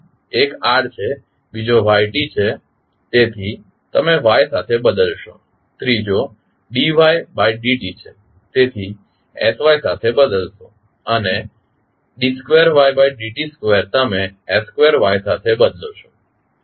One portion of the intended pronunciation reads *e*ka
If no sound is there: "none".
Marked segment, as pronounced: e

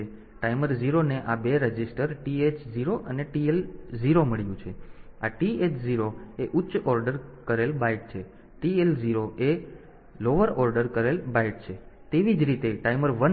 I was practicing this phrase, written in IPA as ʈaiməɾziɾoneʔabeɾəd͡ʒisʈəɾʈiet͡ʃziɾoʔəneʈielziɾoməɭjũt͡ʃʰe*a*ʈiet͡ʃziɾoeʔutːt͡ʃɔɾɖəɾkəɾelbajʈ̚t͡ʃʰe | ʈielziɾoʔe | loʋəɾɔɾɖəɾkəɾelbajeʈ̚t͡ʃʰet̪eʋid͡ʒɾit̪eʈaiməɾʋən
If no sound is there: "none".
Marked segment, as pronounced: a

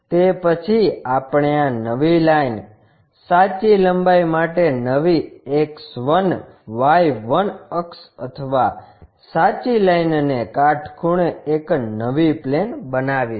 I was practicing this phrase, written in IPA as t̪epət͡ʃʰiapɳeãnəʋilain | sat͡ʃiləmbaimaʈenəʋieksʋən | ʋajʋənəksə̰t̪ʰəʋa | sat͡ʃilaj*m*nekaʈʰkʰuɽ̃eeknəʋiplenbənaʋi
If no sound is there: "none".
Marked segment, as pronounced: n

